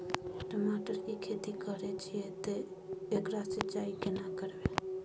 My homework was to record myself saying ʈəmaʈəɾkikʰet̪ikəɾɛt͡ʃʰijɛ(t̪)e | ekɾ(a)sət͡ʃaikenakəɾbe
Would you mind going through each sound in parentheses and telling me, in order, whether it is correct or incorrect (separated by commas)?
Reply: correct, correct